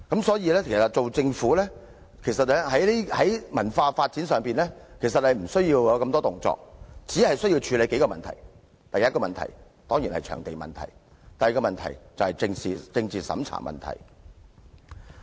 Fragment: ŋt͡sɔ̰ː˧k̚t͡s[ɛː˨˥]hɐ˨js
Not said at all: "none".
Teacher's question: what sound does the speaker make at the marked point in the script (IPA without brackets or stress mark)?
iː˨˥